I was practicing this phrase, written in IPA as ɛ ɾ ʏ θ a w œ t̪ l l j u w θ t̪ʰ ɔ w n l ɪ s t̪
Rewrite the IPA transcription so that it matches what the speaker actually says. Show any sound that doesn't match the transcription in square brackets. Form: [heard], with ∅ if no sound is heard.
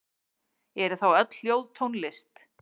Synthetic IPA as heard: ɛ ɾ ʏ θ a w œ t̪ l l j [o] w [ð] t̪ʰ [o] w n l ɪ s t̪